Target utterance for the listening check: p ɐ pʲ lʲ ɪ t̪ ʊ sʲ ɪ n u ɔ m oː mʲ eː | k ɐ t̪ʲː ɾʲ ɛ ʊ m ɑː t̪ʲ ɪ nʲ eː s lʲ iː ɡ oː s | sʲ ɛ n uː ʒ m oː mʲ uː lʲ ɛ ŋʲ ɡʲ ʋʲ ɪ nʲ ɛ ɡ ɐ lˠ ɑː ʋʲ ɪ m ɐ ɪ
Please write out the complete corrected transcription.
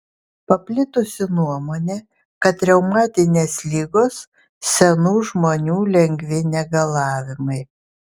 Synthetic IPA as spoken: p ɐ pʲ lʲ ɪ t̪ ʊ sʲ ɪ n u ɔ m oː nʲ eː | k ɐ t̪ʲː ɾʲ ɛ ʊ m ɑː t̪ʲ ɪ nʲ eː s lʲ iː ɡ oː s | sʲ ɛ n uː ʒ m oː nʲ uː lʲ ɛ ŋʲ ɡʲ ʋʲ ɪ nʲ ɛ ɡ ɐ lˠ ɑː ʋʲ ɪ m ɐ ɪ